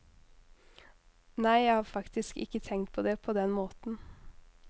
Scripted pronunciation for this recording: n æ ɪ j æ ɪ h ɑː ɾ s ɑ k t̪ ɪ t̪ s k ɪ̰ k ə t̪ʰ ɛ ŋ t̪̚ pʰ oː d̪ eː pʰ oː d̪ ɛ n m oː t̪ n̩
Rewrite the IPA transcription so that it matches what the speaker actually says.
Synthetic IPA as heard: n æ ɪ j æ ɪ h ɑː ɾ f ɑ k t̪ ɪ s k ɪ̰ k ə t̪ʰ ɛ ŋ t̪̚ pʰ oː d̪ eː pʰ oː d̪ ɛ n m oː t̪ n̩